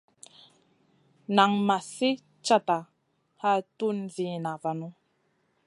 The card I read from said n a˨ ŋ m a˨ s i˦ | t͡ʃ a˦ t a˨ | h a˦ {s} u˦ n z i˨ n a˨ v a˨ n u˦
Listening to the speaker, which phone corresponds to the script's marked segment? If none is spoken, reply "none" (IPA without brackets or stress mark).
t